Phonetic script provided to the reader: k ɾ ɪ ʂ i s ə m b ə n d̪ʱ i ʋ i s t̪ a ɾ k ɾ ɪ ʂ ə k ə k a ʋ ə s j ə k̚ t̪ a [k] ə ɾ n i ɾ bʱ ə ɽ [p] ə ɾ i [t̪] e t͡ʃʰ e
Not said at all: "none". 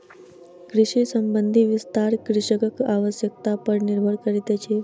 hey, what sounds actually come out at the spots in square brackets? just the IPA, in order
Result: p, k, t̪

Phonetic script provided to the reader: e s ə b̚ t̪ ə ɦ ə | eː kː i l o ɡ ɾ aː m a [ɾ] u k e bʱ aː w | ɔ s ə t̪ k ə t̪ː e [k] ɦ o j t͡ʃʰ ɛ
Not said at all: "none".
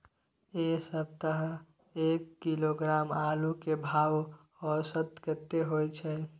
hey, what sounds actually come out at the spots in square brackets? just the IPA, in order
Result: l, none

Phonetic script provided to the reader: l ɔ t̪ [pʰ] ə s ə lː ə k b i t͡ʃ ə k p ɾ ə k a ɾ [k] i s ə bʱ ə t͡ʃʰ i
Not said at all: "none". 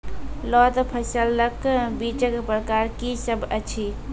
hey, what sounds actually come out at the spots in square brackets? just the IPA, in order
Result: pʰ, k

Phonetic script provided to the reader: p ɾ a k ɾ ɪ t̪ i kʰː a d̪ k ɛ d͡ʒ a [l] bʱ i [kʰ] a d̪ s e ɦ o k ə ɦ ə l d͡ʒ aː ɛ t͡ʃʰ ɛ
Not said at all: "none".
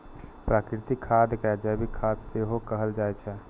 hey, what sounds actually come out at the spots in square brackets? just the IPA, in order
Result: none, kʰ

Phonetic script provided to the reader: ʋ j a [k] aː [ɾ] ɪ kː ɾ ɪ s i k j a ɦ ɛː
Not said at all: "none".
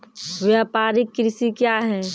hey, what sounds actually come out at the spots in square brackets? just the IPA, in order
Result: p, ɾ

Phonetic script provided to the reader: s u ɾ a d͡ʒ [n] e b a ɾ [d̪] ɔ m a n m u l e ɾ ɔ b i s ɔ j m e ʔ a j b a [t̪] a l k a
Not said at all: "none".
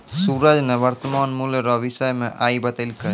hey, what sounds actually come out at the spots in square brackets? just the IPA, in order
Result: n, t̪, t̪

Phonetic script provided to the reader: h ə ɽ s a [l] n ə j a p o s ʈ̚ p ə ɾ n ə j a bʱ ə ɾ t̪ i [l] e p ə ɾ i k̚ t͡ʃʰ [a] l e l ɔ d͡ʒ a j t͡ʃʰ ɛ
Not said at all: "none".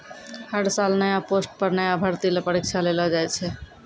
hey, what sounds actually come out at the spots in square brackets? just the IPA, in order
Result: l, l, a

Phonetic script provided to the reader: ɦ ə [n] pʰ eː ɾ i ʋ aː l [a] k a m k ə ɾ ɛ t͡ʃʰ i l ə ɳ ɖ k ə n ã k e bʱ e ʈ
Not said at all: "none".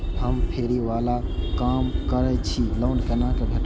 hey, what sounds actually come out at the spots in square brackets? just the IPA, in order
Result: m, a

